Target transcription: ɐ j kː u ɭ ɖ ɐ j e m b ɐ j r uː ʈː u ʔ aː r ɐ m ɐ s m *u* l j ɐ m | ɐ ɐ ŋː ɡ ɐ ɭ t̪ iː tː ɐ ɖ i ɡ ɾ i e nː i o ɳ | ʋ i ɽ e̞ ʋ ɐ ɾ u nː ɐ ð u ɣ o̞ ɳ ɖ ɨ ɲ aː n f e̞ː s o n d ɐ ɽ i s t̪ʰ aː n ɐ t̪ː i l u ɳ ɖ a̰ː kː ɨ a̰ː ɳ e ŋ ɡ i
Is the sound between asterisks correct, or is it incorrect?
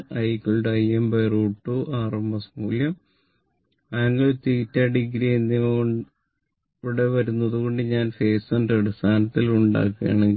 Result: incorrect: uː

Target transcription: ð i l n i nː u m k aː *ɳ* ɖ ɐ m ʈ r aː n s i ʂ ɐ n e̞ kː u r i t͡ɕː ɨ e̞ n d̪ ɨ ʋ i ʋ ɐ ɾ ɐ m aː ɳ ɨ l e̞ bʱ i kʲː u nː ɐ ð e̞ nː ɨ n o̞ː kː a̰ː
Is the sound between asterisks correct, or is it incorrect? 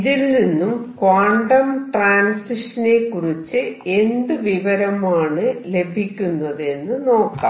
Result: correct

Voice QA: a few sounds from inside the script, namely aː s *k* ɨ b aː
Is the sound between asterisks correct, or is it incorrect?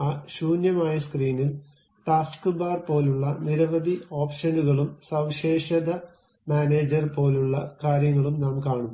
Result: correct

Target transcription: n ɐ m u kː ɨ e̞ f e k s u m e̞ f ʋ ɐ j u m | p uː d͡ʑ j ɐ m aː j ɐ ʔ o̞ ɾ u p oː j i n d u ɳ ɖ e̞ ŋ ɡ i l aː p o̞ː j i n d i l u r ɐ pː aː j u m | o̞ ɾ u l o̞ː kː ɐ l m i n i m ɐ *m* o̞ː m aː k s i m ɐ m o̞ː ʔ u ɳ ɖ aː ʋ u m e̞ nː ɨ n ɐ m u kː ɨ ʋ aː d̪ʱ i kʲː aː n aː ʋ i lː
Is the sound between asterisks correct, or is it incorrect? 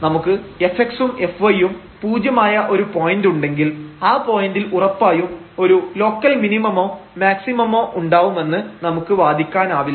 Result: correct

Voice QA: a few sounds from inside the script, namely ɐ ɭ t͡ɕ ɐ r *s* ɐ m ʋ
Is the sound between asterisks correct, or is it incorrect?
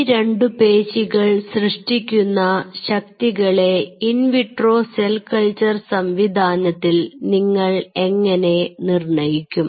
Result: correct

